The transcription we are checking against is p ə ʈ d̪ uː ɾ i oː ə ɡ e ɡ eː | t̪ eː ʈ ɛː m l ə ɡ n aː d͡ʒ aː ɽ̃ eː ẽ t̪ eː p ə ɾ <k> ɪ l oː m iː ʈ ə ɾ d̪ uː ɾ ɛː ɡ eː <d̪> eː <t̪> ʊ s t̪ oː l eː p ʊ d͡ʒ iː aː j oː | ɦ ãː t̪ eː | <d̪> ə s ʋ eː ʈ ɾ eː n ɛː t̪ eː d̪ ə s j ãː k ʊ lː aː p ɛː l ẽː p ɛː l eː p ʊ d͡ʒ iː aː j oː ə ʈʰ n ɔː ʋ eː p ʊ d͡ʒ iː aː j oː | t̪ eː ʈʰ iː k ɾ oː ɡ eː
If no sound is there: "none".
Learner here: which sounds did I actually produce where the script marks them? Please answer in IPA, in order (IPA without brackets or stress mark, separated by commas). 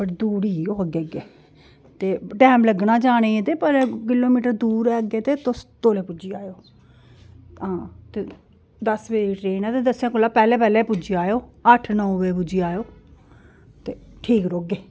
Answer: k, t̪, t̪, d̪